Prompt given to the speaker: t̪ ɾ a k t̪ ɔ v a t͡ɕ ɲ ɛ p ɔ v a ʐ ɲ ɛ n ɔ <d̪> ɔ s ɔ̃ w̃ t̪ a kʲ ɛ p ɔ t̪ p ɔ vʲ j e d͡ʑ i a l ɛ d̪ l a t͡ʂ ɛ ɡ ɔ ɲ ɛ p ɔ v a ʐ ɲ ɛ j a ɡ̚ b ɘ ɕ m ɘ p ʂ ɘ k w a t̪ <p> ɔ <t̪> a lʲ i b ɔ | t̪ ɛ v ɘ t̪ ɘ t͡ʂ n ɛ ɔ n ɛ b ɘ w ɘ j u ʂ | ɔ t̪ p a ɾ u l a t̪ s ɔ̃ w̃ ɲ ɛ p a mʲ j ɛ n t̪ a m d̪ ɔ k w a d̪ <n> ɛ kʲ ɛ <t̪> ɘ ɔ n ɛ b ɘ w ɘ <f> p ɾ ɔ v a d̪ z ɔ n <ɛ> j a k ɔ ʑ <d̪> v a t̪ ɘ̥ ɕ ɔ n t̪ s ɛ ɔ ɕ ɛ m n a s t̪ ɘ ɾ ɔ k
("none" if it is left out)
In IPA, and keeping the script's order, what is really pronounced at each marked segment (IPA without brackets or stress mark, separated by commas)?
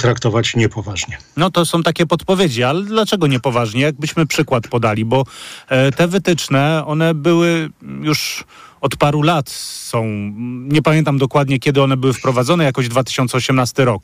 t̪, p, d̪, ɲ, d̪, f, ɛ, d̪